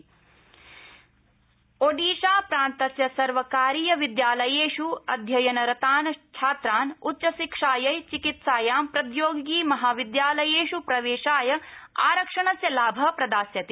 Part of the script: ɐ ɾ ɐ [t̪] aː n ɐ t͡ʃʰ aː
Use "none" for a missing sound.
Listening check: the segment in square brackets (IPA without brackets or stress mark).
t̪